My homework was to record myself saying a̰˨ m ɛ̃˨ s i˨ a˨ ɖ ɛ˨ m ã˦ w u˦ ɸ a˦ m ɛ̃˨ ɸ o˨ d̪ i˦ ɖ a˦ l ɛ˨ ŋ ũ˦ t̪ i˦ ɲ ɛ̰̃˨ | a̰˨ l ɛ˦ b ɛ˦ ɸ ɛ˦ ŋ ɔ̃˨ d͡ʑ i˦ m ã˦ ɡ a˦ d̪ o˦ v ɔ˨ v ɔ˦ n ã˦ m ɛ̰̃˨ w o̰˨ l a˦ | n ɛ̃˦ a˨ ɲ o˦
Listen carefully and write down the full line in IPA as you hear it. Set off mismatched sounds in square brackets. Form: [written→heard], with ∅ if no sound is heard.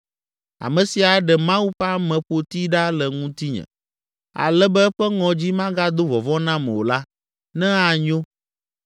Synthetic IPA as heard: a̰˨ m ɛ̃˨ s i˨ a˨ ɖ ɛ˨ m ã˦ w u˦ ɸ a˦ m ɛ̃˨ ɸ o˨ [d̪→t̪] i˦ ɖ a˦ l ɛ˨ ŋ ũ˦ t̪ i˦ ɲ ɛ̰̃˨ | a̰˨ l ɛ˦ b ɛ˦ ɸ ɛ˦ ŋ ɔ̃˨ d͡ʑ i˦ m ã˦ ɡ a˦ d̪ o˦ v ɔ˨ v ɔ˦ n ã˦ m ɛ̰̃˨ w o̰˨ l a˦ | n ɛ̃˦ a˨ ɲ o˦